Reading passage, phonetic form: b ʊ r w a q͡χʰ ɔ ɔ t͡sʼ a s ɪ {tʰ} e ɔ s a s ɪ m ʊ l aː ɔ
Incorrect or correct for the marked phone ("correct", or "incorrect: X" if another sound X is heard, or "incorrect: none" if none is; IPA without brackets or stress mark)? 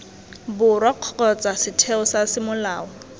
correct